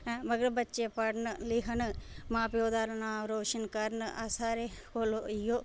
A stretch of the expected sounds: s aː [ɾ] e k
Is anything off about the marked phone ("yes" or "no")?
no